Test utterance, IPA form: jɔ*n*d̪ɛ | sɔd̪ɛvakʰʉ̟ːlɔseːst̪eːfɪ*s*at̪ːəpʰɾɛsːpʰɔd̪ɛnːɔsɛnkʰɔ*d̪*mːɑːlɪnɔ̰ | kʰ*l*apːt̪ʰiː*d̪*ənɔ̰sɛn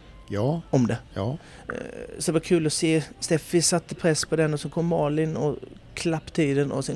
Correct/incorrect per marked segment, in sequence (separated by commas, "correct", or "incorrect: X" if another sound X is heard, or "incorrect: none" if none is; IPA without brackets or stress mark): incorrect: m, correct, incorrect: none, correct, correct